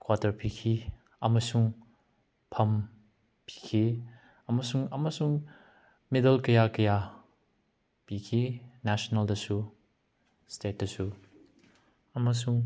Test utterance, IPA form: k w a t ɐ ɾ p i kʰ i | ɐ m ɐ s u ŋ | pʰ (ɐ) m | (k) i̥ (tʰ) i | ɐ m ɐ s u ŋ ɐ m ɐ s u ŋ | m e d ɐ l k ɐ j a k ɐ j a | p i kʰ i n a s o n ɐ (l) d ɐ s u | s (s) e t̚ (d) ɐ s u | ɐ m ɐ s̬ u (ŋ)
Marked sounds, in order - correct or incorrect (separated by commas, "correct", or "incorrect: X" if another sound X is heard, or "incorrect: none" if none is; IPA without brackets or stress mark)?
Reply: correct, incorrect: p, incorrect: kʰ, correct, incorrect: t, correct, correct